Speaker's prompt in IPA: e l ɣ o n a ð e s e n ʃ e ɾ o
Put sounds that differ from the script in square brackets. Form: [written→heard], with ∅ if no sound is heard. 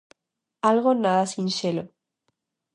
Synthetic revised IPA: [e→a] l ɣ o n a ð [e→a] s [e→i] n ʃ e [ɾ→l] o